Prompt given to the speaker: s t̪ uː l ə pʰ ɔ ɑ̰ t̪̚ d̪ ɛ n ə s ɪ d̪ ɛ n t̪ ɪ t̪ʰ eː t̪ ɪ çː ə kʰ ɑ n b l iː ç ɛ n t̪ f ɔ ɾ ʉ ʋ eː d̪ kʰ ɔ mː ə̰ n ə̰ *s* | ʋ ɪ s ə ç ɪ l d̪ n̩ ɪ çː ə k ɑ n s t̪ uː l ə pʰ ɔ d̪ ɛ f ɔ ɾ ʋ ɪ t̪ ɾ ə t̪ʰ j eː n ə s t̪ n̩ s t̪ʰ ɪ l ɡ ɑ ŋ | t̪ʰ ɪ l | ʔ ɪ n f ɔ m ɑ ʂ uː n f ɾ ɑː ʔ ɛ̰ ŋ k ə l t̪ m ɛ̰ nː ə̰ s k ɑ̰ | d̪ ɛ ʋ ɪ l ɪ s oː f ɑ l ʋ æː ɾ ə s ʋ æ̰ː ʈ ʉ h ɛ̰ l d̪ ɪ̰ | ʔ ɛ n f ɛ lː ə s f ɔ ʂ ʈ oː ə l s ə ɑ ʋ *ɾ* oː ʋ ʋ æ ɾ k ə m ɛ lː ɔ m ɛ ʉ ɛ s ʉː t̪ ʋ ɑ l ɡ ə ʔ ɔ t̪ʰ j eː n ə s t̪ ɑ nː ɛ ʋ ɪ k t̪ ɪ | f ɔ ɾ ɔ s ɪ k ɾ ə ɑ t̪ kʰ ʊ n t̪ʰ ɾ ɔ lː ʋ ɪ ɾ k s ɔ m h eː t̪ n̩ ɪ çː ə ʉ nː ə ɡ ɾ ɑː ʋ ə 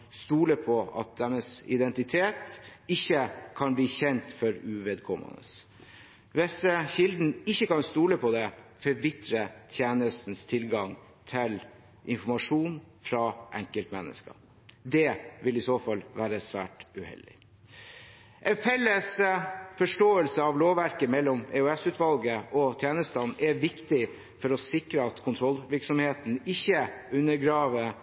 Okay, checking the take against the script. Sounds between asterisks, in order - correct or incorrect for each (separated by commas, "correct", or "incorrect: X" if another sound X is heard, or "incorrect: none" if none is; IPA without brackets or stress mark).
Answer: correct, incorrect: l